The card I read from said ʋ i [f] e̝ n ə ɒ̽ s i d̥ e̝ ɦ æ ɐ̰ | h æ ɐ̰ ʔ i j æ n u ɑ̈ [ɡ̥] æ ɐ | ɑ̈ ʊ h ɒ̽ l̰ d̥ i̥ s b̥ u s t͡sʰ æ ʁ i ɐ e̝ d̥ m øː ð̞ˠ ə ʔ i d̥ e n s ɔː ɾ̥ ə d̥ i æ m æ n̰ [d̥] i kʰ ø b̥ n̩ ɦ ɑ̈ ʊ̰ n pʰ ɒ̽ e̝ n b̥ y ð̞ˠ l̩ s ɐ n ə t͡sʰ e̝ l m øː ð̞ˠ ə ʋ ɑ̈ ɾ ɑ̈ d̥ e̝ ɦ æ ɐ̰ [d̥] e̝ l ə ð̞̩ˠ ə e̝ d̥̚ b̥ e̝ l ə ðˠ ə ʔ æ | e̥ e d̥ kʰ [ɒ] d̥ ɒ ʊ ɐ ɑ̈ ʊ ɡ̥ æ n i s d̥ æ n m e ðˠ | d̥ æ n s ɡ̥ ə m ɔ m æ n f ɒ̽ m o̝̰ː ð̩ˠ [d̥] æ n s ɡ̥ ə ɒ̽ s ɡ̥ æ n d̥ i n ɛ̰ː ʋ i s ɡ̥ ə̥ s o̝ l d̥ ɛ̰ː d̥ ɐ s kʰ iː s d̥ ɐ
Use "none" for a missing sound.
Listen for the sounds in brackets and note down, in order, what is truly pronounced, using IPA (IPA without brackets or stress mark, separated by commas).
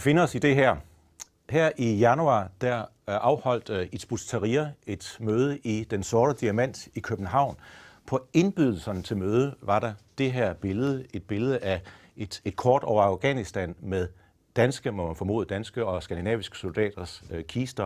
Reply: f, d̥, d̥, b̥, ɒː, d̥